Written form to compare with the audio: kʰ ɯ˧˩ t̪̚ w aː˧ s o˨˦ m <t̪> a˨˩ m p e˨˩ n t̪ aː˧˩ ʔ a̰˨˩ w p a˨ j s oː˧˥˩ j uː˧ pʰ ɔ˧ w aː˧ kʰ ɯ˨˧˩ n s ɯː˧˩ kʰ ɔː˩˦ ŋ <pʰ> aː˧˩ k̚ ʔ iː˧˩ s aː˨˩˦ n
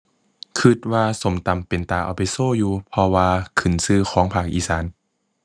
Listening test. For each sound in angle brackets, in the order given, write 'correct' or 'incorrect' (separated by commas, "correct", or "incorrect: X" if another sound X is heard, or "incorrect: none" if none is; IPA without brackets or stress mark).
correct, correct